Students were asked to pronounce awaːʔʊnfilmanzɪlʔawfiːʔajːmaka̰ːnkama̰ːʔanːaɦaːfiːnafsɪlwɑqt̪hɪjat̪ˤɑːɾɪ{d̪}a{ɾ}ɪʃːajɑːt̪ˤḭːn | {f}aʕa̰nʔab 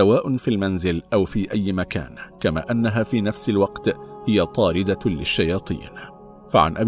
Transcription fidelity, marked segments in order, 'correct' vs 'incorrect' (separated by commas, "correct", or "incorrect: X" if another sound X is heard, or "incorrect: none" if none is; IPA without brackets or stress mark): correct, incorrect: l, correct